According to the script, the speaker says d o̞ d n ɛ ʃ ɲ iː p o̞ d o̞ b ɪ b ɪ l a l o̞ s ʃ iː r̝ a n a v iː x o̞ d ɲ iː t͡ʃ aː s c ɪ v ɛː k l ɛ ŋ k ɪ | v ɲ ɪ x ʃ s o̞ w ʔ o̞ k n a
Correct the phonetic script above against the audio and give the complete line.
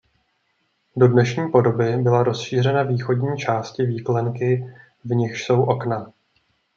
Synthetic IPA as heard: d o̞ d n ɛ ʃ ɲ iː p o̞ d o̞ b ɪ b ɪ l a ɾ o̞ s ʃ iː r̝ ɛ n a v iː x o̞ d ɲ iː t͡ʃ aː s c ɪ v iː k l ɛ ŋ k ɪ | v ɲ ɪ x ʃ s o̞ w ʔ o̞ k n a